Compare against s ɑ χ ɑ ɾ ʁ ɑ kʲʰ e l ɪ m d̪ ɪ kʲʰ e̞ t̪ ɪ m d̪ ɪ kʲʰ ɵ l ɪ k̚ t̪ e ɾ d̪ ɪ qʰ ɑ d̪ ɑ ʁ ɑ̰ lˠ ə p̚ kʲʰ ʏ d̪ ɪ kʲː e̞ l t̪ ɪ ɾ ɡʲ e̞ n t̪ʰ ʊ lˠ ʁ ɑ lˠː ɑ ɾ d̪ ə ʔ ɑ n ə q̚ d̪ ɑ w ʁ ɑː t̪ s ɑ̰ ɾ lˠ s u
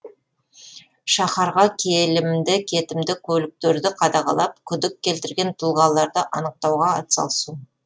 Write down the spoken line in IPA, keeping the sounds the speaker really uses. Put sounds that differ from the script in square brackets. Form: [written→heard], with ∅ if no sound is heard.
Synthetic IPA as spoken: [s→ʃ] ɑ χ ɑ ɾ ʁ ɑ kʲʰ e l ɪ m d̪ ɪ kʲʰ e̞ t̪ ɪ m d̪ ɪ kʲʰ ɵ l ɪ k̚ t̪ e ɾ d̪ ɪ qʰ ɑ d̪ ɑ ʁ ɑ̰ lˠ [ə→ɑ] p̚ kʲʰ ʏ d̪ ɪ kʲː e̞ l t̪ ɪ ɾ ɡʲ e̞ n t̪ʰ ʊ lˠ ʁ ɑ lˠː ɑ ɾ d̪ ə ʔ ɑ n ə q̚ [d̪→t̪] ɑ w ʁ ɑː t̪ s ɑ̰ [ɾ→∅] lˠ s u

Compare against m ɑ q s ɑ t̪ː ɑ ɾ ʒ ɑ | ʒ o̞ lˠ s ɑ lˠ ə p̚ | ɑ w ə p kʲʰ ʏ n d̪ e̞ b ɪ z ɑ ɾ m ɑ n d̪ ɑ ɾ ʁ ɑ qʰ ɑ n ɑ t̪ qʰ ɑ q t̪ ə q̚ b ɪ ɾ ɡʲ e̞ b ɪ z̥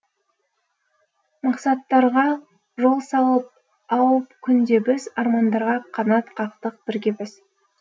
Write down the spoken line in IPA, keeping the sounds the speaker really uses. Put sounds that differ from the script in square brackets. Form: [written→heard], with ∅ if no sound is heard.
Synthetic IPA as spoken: m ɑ q s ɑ t̪ː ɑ ɾ [ʒ→ʁ] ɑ | ʒ o̞ lˠ s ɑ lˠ ə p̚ | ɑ w ə p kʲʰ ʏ n d̪ e̞ b ɪ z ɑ ɾ m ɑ n d̪ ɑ ɾ ʁ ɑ qʰ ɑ n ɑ t̪ qʰ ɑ q t̪ ə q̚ b ɪ ɾ ɡʲ e̞ b ɪ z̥

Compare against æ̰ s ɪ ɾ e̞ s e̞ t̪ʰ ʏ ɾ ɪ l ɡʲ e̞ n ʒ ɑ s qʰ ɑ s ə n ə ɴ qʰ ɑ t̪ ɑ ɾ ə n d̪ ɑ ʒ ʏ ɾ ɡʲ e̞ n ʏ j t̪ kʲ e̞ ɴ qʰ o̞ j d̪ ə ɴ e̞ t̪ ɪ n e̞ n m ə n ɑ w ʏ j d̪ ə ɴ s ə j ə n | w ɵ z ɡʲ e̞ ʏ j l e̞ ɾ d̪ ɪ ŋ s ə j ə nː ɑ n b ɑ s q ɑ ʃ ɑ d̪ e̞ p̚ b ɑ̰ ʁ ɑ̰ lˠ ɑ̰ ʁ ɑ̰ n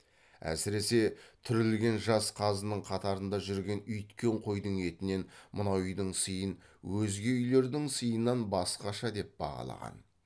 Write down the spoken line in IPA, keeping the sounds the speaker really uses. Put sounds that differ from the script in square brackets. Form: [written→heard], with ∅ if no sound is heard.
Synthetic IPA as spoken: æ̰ s ɪ ɾ e̞ s e̞ t̪ʰ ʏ ɾ ɪ l ɡʲ e̞ n ʒ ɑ s qʰ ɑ [s→z] ə n ə ɴ qʰ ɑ t̪ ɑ ɾ ə n d̪ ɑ ʒ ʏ ɾ ɡʲ e̞ n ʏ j t̪ kʲ e̞ ɴ qʰ o̞ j d̪ ə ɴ e̞ t̪ ɪ n e̞ n m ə n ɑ w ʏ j d̪ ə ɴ s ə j ə n | w ɵ z ɡʲ e̞ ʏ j l e̞ ɾ d̪ ɪ ŋ s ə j ə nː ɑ n b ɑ s q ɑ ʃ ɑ d̪ e̞ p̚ b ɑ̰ ʁ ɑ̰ lˠ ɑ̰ ʁ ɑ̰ n

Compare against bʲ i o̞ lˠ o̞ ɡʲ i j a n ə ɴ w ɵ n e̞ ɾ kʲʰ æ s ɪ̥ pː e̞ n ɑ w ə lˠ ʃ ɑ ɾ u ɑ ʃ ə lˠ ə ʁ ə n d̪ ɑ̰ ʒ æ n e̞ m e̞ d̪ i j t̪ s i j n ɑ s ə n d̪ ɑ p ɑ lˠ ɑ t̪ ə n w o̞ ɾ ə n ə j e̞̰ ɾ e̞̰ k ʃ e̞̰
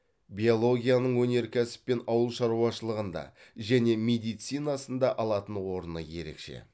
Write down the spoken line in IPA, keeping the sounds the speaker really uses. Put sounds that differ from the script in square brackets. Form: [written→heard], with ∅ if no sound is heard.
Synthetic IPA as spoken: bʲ i o̞ lˠ o̞ ɡʲ i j a n ə ɴ w ɵ n e̞ ɾ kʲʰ æ s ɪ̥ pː e̞ n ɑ w ə lˠ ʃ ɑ ɾ u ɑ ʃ ə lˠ ə ʁ ə n d̪ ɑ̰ ʒ æ n e̞ m e̞ d̪ i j t̪ s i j n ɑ s ə n d̪ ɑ [p→ʔ] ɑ lˠ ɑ t̪ ə n w o̞ ɾ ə n ə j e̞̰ ɾ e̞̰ k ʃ e̞̰

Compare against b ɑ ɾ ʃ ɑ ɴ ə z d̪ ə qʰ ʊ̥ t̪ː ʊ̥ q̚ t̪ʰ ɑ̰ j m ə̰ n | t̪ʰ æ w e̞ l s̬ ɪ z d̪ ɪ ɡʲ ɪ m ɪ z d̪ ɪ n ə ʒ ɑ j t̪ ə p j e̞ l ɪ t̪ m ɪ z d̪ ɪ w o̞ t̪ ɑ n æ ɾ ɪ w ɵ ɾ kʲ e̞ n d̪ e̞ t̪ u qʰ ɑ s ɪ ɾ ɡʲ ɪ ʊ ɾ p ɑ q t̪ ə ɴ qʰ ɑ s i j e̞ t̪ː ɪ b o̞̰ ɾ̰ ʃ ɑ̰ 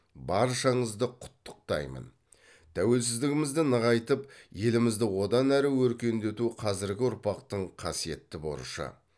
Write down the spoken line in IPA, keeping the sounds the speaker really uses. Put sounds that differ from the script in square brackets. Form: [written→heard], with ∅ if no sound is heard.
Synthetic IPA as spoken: b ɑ ɾ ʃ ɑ ɴ ə z d̪ ə qʰ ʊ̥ t̪ː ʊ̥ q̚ [t̪ʰ→t̪] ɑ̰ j m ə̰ n | t̪ʰ æ w e̞ l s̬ ɪ z d̪ ɪ ɡʲ ɪ m ɪ z d̪ ɪ n ə [ʒ→ʁ] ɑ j t̪ ə p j e̞ l ɪ [t̪→∅] m ɪ z d̪ ɪ w o̞ [t̪→d̪] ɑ n æ ɾ ɪ w ɵ ɾ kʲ e̞ n d̪ e̞ t̪ u qʰ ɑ [s→z] ɪ ɾ ɡʲ ɪ ʊ ɾ p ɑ q t̪ ə ɴ qʰ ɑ s i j e̞ t̪ː ɪ b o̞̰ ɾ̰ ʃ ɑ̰

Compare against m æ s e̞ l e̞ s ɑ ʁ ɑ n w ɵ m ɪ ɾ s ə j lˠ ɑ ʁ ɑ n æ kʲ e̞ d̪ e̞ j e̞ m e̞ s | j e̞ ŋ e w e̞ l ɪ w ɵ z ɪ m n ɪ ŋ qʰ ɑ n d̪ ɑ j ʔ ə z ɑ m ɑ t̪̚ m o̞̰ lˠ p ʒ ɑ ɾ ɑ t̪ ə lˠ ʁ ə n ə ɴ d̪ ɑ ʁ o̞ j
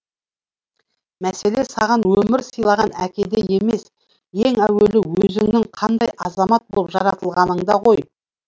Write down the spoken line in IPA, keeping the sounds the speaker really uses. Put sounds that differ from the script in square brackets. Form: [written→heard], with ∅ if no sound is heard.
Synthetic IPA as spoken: m æ s e̞ l e̞ s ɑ ʁ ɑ n w ɵ m ɪ ɾ s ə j lˠ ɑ ʁ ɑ n æ kʲ e̞ d̪ e̞ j e̞ m e̞ s | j e̞ ŋ [e→æ] w e̞ l ɪ w ɵ z ɪ [m→ŋ] n ɪ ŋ qʰ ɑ n d̪ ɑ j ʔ [ə→ɑ] z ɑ m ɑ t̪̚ [m→b] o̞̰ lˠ p ʒ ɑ ɾ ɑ t̪ ə lˠ ʁ [ə→ɑ] n ə ɴ d̪ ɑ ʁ o̞ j

